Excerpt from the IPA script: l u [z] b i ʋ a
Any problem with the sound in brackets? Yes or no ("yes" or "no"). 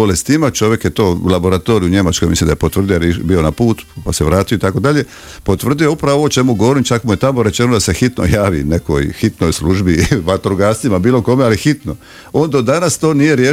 yes